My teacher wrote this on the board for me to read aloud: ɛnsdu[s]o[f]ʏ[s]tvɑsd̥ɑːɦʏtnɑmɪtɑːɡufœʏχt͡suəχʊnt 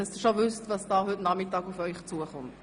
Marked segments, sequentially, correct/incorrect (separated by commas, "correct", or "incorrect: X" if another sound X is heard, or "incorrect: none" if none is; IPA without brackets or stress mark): incorrect: ʃ, incorrect: v, correct